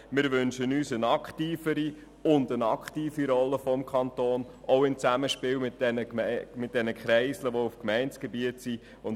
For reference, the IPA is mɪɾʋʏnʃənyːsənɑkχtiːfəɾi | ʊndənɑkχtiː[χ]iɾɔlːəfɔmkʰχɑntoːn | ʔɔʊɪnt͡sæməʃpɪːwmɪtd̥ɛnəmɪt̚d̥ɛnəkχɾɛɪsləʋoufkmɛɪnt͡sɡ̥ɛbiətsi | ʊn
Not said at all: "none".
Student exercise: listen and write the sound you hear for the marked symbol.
f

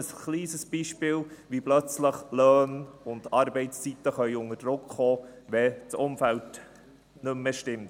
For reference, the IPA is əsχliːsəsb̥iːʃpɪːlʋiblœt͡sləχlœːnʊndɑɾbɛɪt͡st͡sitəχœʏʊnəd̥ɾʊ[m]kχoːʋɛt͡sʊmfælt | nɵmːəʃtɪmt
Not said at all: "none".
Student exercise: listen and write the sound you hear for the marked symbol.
none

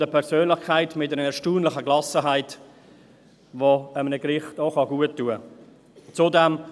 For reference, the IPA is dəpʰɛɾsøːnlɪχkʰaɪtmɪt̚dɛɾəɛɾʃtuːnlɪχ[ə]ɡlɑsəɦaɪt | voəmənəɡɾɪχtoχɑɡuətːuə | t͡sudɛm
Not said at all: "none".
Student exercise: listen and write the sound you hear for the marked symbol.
ə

